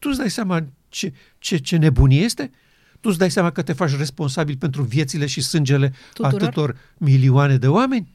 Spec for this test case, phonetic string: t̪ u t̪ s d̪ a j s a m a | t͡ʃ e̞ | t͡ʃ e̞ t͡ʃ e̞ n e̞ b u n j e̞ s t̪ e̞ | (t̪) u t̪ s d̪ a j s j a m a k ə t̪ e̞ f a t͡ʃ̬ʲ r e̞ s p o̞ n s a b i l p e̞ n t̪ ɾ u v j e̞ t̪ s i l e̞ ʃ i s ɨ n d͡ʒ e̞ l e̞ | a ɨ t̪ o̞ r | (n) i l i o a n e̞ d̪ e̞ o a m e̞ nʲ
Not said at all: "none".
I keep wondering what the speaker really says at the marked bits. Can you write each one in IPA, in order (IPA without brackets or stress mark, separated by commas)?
t̪, m